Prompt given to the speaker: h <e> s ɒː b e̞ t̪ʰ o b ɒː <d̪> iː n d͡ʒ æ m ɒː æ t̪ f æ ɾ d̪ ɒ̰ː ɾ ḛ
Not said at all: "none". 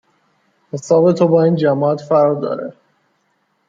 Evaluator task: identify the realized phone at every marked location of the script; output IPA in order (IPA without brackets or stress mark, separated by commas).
e, none